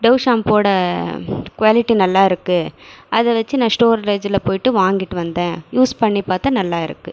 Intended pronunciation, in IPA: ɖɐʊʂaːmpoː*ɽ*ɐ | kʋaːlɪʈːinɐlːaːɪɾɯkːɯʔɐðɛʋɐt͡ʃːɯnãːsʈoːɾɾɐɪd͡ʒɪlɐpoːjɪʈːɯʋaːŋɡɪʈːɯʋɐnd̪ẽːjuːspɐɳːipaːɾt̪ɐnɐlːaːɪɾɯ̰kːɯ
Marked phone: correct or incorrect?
correct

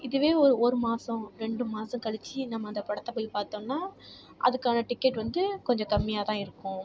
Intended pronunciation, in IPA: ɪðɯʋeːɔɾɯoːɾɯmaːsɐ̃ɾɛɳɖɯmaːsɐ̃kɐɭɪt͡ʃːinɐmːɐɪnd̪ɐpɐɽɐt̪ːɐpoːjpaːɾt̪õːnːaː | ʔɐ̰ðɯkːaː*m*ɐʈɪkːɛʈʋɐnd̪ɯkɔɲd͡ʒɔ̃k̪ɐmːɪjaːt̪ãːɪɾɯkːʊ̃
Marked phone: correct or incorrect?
incorrect: n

